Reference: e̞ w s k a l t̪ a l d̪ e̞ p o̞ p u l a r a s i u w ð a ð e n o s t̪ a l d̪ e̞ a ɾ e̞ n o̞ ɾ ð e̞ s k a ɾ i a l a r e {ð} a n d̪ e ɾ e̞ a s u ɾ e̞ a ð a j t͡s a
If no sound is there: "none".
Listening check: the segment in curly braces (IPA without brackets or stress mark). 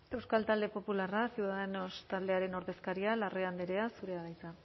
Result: none